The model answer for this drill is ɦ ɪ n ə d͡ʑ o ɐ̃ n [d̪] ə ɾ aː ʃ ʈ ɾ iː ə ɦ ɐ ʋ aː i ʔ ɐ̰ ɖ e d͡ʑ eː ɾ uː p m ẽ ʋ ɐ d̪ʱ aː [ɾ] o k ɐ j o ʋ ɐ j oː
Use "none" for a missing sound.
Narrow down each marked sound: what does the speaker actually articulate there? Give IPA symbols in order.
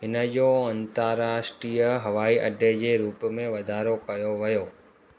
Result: t̪, ɾ

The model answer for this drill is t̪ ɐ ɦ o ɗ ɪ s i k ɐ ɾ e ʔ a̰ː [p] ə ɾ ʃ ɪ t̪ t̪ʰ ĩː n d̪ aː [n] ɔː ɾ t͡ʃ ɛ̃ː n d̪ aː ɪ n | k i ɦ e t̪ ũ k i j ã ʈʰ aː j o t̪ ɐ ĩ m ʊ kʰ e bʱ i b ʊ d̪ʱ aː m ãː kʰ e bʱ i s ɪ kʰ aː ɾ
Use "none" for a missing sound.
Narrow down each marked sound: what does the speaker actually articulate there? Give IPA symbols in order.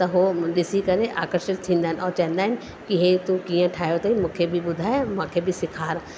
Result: k, n

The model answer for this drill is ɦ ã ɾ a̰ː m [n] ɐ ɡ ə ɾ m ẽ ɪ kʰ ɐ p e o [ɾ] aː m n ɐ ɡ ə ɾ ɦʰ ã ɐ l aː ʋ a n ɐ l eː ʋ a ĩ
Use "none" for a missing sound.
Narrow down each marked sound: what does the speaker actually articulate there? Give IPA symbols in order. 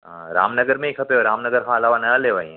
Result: n, ɾ

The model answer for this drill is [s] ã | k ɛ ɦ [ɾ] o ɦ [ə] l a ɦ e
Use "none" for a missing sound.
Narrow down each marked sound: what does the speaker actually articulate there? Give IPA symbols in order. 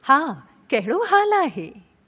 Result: h, ɭ, a

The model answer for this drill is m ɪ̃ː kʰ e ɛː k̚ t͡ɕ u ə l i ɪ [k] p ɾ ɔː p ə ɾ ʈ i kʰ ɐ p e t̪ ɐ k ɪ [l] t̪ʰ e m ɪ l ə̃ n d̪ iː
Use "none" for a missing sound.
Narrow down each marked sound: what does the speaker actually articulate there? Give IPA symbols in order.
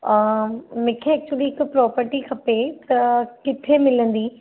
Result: k, none

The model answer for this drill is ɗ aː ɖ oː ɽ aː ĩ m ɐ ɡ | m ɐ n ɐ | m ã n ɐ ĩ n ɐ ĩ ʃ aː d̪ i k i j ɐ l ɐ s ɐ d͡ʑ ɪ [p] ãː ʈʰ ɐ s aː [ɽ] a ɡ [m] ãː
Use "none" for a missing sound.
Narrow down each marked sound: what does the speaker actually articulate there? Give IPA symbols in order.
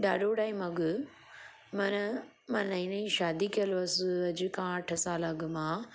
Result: k, l, m

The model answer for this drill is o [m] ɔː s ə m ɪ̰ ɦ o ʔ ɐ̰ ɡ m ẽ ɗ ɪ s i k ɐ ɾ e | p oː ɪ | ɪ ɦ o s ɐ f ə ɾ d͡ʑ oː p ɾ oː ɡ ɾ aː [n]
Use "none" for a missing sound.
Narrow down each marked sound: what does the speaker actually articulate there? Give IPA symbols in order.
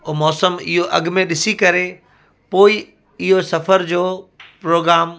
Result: m, m

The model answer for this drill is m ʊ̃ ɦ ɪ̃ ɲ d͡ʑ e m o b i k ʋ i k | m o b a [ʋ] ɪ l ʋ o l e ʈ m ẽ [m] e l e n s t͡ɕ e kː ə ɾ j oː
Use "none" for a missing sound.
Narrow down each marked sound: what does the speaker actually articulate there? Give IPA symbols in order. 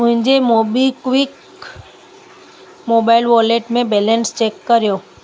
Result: none, b

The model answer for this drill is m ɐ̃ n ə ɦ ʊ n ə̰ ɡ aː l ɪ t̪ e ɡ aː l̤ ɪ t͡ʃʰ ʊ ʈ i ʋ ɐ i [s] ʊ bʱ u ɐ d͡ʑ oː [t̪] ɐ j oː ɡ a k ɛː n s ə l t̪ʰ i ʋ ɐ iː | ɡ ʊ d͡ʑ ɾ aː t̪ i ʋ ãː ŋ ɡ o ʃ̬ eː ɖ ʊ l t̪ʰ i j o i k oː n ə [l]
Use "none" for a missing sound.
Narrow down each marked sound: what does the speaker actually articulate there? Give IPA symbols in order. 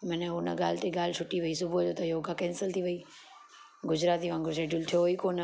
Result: s, t̪, none

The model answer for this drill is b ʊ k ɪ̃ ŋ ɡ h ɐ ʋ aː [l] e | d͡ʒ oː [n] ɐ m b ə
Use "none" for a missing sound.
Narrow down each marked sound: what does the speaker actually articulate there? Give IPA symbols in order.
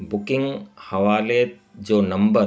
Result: l, n

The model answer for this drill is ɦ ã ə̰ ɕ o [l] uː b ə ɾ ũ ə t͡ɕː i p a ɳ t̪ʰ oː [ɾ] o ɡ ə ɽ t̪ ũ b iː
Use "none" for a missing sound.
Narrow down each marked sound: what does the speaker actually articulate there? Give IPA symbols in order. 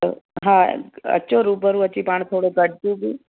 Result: ɾ, ɽ

